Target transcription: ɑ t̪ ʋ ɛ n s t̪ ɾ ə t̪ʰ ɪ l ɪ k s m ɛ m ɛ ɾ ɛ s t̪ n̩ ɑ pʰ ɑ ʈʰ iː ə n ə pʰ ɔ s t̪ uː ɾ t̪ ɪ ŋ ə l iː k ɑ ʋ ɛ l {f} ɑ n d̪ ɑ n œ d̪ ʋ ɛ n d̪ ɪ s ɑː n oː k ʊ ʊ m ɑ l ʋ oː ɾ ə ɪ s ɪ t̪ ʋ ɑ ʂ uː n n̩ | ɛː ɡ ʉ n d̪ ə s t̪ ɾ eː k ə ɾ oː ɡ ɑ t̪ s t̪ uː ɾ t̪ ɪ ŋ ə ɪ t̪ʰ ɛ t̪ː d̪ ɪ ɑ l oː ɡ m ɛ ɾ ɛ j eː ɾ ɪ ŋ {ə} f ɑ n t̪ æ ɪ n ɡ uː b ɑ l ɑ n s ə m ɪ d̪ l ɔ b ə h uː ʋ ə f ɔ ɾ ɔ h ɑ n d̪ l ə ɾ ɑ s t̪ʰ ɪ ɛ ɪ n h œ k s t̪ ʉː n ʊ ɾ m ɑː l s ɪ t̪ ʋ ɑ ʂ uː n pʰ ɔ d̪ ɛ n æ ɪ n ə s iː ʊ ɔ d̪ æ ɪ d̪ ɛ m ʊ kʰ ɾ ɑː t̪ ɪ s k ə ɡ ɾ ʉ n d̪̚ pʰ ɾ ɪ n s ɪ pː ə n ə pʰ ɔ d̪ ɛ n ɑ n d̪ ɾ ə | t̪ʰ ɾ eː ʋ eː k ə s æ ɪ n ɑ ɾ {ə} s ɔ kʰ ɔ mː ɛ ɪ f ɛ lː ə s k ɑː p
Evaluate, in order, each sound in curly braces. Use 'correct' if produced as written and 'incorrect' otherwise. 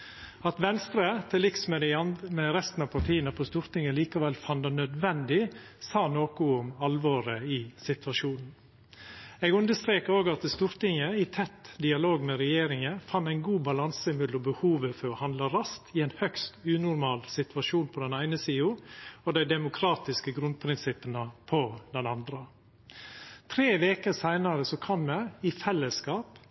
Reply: correct, correct, correct

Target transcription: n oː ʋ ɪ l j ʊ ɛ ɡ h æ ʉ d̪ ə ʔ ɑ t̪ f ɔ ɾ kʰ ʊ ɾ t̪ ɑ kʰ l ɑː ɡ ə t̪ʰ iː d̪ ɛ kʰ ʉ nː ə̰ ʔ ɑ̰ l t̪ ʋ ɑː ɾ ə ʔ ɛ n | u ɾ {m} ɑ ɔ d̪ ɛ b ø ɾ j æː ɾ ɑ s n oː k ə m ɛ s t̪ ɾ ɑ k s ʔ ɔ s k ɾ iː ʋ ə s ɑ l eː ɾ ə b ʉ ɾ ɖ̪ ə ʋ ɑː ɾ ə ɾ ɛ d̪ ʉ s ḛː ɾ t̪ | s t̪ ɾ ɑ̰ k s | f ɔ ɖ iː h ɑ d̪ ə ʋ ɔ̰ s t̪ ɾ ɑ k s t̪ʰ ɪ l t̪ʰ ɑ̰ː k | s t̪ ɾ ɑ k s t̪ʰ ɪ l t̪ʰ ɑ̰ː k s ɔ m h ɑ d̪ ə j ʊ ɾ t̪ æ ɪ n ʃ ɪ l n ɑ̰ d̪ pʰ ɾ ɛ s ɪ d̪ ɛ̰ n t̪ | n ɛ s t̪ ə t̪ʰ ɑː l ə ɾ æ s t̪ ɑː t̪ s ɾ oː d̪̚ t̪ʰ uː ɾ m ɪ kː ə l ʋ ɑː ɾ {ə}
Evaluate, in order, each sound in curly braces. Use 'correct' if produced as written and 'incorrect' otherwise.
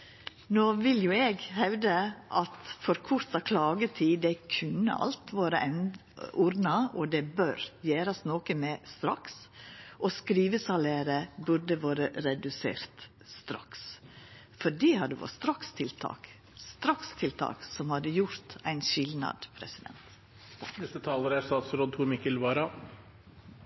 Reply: incorrect, incorrect

